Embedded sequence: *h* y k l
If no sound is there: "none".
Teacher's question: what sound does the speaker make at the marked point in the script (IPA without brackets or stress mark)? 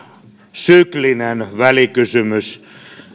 s